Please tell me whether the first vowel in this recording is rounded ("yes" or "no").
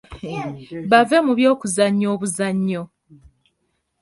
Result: no